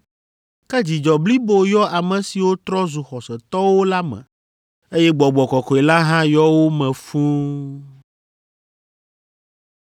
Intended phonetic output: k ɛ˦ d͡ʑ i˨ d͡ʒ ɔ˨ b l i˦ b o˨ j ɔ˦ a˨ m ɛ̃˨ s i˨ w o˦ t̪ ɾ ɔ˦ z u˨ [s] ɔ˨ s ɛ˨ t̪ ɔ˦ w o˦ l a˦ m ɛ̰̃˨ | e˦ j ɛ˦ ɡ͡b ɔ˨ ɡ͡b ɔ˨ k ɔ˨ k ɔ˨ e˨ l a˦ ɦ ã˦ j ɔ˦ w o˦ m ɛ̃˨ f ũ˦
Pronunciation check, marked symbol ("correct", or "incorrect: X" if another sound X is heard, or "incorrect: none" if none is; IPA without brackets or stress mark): incorrect: x